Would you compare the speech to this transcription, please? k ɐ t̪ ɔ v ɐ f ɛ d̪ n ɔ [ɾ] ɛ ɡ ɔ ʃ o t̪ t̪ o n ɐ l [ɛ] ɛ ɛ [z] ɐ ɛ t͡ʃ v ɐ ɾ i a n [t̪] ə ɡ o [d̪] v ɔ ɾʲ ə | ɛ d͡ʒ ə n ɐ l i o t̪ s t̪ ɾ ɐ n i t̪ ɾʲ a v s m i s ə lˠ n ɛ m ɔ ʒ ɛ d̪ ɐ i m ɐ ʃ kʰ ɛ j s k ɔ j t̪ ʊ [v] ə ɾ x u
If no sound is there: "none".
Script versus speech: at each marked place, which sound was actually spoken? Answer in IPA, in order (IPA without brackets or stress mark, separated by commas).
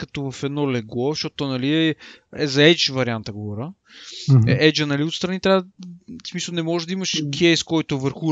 l, i, z, t̪, none, v